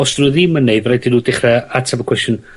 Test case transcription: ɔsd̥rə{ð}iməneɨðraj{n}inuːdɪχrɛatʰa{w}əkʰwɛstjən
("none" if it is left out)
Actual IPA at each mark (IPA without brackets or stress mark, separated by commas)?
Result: ð, d, b